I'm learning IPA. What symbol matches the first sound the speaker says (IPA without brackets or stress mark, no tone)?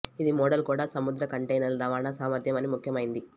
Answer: i